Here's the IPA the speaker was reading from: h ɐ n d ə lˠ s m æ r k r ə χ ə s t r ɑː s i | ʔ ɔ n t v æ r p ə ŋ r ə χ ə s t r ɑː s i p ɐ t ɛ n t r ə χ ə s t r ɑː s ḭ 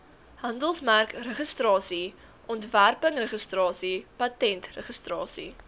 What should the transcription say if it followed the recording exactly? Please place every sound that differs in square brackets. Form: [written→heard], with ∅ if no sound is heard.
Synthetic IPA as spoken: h ɐ n d ə lˠ s m æ r k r ə χ ə s t r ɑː s i | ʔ ɔ n t v æ r p ə ŋ r ə χ ə s t r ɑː s i p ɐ t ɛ n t r ə χ ə s t r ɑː s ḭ